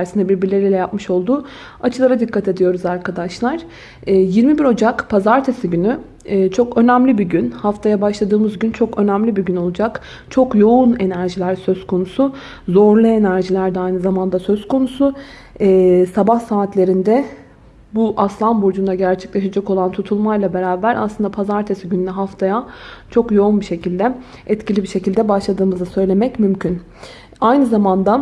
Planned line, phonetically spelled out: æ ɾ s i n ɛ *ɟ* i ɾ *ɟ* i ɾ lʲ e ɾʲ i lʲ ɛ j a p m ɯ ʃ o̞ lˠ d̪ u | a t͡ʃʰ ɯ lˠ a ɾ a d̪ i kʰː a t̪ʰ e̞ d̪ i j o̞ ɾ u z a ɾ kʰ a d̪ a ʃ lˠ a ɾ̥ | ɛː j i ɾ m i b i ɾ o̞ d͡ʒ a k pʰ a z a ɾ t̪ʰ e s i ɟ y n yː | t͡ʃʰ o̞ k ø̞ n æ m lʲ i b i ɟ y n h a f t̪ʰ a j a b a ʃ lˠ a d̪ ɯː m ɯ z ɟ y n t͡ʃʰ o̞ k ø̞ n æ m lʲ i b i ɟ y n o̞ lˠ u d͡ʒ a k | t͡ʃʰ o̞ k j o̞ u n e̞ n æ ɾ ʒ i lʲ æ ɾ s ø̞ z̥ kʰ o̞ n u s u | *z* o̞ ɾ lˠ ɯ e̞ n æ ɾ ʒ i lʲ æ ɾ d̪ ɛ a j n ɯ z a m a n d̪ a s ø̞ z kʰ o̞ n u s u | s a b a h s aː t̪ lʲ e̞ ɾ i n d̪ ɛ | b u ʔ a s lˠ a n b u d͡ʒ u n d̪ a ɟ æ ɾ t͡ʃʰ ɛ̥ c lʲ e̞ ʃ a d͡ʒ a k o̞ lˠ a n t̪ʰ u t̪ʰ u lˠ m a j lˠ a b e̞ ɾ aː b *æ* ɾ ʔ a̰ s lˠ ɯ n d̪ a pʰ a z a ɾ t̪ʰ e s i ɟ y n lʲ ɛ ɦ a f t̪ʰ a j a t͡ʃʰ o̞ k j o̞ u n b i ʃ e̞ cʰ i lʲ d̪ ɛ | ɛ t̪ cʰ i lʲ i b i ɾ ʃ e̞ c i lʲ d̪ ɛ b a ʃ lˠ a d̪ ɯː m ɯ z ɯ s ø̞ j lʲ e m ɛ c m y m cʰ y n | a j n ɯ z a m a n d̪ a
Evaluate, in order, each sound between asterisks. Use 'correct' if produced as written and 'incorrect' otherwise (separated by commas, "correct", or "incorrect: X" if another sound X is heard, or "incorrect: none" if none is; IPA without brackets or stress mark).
incorrect: b, incorrect: b, correct, correct